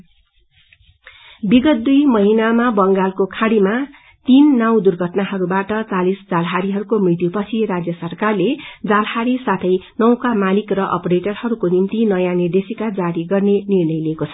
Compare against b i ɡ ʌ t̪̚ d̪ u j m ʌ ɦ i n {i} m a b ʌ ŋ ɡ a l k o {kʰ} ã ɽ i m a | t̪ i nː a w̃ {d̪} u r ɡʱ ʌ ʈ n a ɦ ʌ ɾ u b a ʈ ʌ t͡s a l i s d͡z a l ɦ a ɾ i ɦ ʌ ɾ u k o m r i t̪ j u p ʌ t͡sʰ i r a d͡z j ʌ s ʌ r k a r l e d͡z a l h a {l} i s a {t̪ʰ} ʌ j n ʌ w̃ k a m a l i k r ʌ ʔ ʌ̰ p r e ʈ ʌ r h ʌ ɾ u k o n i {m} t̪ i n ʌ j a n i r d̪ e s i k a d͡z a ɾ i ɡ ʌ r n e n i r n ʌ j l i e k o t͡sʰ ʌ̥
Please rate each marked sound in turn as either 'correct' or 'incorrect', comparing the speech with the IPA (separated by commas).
incorrect, correct, correct, incorrect, correct, correct